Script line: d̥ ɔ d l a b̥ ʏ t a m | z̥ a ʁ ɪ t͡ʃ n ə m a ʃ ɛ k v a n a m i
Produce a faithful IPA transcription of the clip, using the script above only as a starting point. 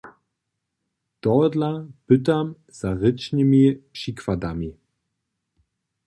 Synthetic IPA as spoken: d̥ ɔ d l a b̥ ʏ t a m | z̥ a ʁ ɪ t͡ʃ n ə m i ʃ i k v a d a m i